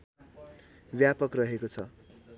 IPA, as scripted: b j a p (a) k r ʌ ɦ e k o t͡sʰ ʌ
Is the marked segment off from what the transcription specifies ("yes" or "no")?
yes